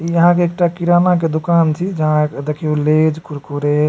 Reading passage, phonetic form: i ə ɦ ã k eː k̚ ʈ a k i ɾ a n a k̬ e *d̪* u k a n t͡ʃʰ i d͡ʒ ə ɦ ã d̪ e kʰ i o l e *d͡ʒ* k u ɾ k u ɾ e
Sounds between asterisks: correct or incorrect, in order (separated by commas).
correct, correct